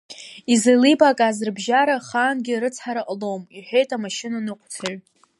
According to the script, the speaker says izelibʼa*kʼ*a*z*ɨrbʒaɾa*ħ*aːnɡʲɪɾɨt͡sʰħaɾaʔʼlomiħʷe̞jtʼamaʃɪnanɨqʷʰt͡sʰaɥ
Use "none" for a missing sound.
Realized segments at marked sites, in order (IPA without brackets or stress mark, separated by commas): kʼ, z, χ